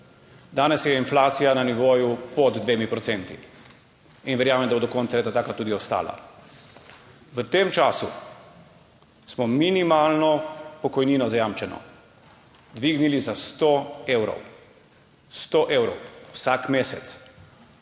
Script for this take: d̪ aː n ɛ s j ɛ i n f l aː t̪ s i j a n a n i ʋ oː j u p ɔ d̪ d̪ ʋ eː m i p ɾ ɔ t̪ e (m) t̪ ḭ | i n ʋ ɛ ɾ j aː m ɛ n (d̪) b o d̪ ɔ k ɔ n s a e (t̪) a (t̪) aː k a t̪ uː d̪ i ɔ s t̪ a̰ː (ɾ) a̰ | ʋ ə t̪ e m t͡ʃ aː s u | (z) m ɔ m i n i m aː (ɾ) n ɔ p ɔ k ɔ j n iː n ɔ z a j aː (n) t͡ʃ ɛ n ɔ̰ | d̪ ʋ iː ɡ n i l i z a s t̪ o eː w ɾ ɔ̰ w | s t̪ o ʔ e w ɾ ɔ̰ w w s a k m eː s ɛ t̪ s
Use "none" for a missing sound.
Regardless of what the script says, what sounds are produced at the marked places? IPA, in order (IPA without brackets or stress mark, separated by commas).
n, d̪, t̪, t̪, l, s, l, m